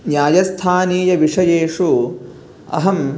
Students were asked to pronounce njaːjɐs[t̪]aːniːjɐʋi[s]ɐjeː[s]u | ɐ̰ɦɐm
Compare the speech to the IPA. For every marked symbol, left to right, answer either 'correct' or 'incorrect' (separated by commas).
incorrect, incorrect, incorrect